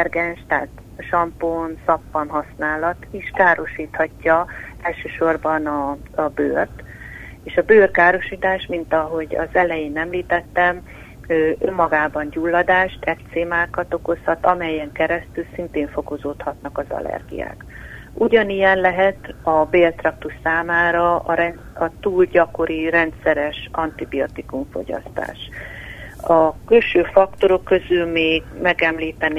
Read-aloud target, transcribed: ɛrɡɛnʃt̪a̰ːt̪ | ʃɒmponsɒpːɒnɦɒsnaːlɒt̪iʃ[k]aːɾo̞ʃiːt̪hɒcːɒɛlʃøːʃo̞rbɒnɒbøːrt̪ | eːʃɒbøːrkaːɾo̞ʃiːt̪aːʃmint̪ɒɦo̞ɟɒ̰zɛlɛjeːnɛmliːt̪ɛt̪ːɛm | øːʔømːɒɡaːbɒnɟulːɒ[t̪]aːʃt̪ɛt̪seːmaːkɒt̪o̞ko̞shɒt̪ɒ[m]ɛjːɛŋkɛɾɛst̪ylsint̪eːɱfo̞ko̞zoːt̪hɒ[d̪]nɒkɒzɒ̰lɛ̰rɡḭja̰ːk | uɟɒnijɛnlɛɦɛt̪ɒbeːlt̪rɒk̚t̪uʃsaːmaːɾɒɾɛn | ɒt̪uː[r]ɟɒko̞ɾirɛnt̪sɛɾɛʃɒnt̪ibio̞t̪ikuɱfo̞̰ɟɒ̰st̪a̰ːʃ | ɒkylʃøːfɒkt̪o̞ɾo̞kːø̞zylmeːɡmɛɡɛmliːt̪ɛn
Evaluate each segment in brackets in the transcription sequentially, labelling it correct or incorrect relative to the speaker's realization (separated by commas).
correct, incorrect, correct, incorrect, incorrect